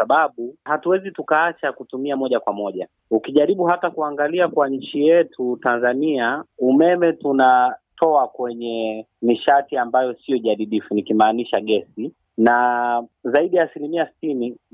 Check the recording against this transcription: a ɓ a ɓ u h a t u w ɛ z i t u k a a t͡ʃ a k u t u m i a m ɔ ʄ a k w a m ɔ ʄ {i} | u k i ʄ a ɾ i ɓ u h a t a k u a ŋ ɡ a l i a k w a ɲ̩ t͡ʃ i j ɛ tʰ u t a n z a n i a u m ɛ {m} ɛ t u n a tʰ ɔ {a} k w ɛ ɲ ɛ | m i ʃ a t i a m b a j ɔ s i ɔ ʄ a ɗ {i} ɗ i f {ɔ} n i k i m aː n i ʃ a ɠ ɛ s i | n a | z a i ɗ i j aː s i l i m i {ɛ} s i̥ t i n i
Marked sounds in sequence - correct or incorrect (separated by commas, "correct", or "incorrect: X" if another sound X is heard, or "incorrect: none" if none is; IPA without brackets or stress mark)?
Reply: incorrect: a, correct, correct, correct, incorrect: u, incorrect: a